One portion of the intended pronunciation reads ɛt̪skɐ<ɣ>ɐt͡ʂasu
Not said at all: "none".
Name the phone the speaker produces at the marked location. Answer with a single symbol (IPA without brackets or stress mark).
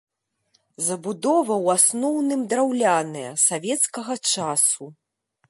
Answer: ɣ